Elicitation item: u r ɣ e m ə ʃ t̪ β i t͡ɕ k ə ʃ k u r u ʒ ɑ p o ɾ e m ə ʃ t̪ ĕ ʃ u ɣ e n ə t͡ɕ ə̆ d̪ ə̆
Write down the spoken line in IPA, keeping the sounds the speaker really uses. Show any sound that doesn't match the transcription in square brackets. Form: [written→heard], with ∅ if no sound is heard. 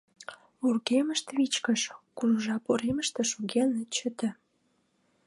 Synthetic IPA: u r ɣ e m ə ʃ t̪ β i t͡ɕ k ə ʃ k u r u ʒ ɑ p o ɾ e m ə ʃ t̪ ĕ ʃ u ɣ e n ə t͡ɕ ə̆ [d̪→t̪] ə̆